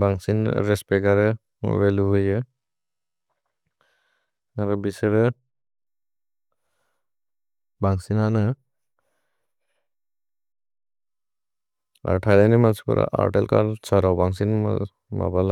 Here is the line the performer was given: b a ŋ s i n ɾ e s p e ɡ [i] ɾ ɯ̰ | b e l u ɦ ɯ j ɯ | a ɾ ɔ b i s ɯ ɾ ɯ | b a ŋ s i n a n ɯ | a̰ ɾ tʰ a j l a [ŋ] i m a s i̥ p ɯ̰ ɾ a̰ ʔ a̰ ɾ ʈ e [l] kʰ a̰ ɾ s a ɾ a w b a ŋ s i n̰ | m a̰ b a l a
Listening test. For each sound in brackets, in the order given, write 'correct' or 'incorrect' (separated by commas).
incorrect, incorrect, correct